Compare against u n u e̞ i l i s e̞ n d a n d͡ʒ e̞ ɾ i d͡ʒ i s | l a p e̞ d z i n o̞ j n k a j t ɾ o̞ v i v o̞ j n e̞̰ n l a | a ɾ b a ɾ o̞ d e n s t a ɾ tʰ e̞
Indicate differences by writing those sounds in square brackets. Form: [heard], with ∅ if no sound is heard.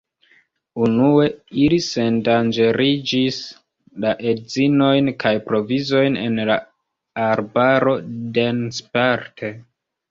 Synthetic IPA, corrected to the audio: u n u e̞ i l i s e̞ n d a n d͡ʒ e̞ ɾ i d͡ʒ i s | l a [ʔ] e̞ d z i n o̞ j n k a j [p] ɾ o̞ v i [z] o̞ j n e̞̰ n l a | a ɾ b a ɾ o̞ d e n s [p] a ɾ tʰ e̞